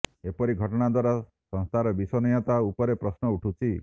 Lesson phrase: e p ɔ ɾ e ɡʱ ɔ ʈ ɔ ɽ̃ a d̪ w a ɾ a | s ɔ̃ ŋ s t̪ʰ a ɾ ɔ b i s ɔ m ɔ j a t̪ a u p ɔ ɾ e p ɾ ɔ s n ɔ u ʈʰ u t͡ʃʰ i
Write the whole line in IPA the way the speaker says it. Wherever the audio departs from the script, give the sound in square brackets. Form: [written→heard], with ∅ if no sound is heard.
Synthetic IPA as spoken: e p ɔ ɾ [e→i] ɡʱ ɔ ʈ ɔ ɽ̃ a d̪ w a ɾ a | s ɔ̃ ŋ s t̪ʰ a ɾ ɔ b i s ɔ [m→n] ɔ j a t̪ a u p ɔ ɾ e p ɾ ɔ s n ɔ u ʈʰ u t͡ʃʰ i

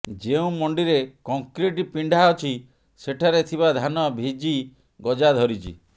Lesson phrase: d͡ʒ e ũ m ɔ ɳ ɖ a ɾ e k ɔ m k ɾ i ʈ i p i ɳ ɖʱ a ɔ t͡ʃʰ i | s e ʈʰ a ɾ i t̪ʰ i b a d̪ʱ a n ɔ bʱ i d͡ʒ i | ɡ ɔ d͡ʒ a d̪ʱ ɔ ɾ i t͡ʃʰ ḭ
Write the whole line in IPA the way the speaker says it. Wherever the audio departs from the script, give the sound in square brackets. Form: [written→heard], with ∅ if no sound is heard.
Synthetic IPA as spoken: d͡ʒ e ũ m ɔ ɳ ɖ [a→i] ɾ e k ɔ [m→ŋ] k ɾ i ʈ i p i ɳ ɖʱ a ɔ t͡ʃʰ i | s e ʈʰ a ɾ [i→e] t̪ʰ i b a d̪ʱ a n ɔ bʱ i d͡ʒ i | ɡ ɔ d͡ʒ a d̪ʱ ɔ ɾ i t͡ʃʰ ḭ

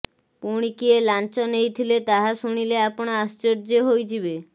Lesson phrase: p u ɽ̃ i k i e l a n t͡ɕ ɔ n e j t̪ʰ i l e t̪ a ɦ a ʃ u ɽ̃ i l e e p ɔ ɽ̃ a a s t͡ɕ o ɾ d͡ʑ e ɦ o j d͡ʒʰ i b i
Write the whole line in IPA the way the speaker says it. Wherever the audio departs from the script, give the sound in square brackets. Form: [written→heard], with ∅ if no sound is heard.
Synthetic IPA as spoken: p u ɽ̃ i k i e l a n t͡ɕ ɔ n e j t̪ʰ i l e t̪ a ɦ a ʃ u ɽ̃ i l e [e→a] p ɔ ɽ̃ a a s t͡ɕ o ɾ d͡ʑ e ɦ o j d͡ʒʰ i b [i→e]

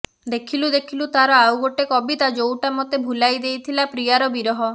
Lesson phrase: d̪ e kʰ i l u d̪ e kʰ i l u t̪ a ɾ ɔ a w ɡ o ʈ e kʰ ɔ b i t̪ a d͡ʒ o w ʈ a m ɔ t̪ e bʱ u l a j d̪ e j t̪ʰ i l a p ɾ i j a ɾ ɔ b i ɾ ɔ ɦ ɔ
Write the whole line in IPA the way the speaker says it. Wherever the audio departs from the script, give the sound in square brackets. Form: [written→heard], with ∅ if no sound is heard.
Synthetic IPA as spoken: d̪ e kʰ i l u d̪ e kʰ i l u t̪ a ɾ ɔ a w ɡ o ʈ e [kʰ→k] ɔ b i t̪ a d͡ʒ o w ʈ a m ɔ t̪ e bʱ u l a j d̪ e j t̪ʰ i l a p ɾ i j a ɾ ɔ b i ɾ ɔ ɦ ɔ

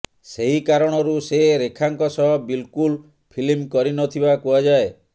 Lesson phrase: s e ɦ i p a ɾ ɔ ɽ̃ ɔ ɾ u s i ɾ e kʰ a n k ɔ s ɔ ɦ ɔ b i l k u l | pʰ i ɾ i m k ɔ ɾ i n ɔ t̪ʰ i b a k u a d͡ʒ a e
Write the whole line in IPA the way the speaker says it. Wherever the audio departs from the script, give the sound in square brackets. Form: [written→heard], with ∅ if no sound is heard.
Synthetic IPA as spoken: s e ɦ i [p→k] a ɾ ɔ ɽ̃ ɔ ɾ u s [i→e] ɾ e kʰ a [n→ŋ] k ɔ s ɔ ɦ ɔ b i l k u l | pʰ i [ɾ→l] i m k ɔ ɾ i n ɔ t̪ʰ i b a k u a d͡ʒ a e

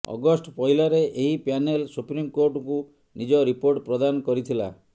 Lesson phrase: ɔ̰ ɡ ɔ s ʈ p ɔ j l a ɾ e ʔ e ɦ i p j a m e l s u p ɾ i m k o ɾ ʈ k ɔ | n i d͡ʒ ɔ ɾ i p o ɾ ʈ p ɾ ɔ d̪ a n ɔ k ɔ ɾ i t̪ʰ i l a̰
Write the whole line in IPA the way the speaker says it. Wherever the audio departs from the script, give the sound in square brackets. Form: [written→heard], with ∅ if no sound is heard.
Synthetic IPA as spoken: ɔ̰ ɡ ɔ s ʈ p ɔ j l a ɾ e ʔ e ɦ i p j a [m→n] e l s u p ɾ i m k o ɾ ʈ k [ɔ→u] | n i d͡ʒ ɔ ɾ i p o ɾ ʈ p ɾ ɔ d̪ a n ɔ k ɔ ɾ i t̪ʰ i l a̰

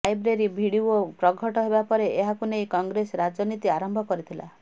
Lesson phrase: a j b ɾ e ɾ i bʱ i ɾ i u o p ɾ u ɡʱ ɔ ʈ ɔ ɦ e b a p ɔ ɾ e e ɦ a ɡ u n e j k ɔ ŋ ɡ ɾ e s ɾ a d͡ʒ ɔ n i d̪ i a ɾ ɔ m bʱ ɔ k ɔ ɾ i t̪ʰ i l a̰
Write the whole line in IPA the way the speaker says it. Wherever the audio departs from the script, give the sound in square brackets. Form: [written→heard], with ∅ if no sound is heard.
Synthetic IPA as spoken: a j b ɾ e ɾ i bʱ i [ɾ→ɽ] i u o p ɾ [u→ɔ] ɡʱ ɔ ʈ ɔ ɦ e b a p ɔ ɾ e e ɦ a [ɡ→k] u n e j k ɔ ŋ ɡ ɾ e s ɾ a d͡ʒ ɔ n i [d̪→t̪] i a ɾ ɔ m bʱ ɔ k ɔ ɾ i t̪ʰ i l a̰

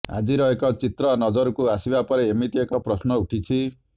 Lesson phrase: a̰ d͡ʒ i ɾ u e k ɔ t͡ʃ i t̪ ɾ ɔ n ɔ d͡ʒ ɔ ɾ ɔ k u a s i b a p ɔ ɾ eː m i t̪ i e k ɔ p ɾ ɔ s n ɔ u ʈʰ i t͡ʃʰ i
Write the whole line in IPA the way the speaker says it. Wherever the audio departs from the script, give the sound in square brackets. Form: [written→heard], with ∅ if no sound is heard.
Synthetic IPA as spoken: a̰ d͡ʒ i ɾ [u→ɔ] e k ɔ t͡ʃ i t̪ ɾ ɔ n ɔ d͡ʒ ɔ ɾ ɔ k u a s i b a p ɔ ɾ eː m i t̪ i e k ɔ p ɾ ɔ s n ɔ u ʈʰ i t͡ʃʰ i

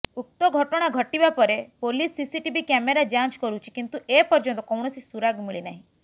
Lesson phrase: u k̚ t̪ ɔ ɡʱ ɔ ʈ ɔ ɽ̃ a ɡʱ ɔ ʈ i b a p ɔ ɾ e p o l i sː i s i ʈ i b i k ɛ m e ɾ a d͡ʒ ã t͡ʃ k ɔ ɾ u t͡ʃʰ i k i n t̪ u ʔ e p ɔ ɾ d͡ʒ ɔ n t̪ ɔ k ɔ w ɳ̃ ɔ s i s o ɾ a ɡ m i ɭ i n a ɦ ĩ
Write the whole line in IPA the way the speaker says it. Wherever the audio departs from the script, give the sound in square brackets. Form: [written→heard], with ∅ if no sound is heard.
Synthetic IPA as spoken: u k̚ t̪ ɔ ɡʱ ɔ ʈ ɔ ɽ̃ a ɡʱ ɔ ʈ i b a p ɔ ɾ e p o l i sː i s i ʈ i b i k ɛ m e ɾ a d͡ʒ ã t͡ʃ k ɔ ɾ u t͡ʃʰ i k i n t̪ u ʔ e p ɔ ɾ d͡ʒ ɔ n t̪ ɔ k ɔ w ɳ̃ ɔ s i s [o→u] ɾ a ɡ m i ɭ i n a ɦ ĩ

